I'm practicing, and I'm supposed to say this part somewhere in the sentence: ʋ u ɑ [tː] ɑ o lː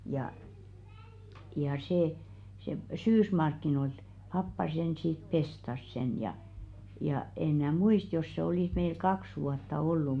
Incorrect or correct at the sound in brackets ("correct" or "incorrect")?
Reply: correct